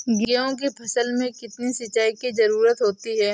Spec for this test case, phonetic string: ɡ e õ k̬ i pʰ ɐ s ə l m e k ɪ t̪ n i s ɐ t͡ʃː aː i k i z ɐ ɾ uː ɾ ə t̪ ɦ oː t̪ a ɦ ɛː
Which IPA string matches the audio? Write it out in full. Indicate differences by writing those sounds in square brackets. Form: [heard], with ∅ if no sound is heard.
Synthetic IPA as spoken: ɡ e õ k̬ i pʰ ɐ s ə l m [ẽ] k ɪ t̪ n i s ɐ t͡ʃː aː i k i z ɐ ɾ uː ɾ ə t̪ ɦ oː t̪ [i] ɦ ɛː